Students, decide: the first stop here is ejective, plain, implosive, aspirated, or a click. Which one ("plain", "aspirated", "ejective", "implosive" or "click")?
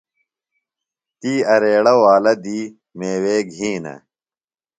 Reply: plain